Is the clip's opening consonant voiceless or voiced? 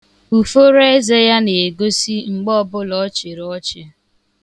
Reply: voiceless